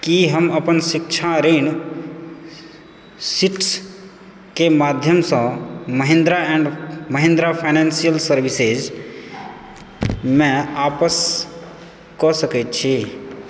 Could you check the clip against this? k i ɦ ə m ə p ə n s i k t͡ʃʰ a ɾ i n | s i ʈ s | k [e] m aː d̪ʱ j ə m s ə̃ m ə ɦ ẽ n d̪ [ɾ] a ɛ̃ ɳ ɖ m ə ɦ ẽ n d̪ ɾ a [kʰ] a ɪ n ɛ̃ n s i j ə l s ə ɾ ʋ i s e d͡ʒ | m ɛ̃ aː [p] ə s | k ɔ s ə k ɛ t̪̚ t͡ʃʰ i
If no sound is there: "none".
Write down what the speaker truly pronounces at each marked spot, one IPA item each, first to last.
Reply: e, ɾ, pʰ, p

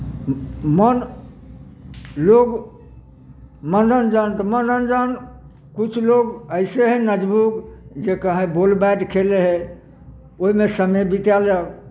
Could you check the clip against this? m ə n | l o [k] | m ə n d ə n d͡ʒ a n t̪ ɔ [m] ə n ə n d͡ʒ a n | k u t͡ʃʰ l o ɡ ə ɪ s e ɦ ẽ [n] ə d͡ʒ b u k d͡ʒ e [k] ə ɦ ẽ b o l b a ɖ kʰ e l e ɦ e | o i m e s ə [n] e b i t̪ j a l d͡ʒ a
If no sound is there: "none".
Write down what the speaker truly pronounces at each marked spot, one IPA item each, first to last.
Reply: ɡ, m, n, k, m

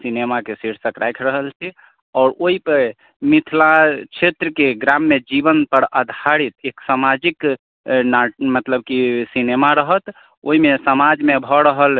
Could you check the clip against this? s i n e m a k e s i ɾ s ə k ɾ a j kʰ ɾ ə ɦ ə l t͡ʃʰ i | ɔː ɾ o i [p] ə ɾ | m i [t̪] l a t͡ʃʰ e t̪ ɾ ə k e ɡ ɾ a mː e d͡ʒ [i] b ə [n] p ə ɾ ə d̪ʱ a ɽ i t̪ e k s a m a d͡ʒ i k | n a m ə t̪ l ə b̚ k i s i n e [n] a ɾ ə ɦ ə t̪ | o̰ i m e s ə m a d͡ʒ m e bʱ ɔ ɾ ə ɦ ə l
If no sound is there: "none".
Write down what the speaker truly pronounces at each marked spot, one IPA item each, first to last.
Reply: p, t̪ʰ, i, n, m

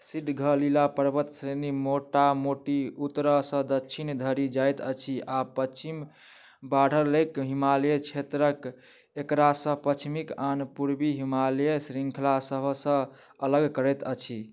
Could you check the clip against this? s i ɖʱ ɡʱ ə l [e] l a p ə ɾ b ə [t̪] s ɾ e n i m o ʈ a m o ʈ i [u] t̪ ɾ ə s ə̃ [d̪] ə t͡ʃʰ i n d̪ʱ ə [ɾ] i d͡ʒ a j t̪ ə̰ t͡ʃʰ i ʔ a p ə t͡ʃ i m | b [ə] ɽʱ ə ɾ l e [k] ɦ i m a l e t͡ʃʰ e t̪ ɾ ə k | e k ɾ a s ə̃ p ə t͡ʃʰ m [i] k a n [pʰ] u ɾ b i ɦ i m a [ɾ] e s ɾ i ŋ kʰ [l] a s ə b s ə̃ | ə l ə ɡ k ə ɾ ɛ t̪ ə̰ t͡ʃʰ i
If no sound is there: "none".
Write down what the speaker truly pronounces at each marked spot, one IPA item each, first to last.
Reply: i, t̪, u, d̪, ɾ, a, k, i, p, l, l

